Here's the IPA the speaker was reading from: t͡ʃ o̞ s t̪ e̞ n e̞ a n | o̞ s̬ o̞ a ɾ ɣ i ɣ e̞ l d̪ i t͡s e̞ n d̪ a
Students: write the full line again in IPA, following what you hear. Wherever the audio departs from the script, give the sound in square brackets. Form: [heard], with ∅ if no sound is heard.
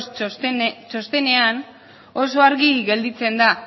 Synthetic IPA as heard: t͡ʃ o̞ s t̪ e̞ n e̞ a n | o̞ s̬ o̞ a ɾ ɣ i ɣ e̞ l d̪ i t͡s e̞ n d̪ a